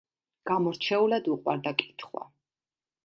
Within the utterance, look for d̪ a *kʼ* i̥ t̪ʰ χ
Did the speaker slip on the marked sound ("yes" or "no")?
no